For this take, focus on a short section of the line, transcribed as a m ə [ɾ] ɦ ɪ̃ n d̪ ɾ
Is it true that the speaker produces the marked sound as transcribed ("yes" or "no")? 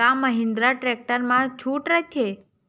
no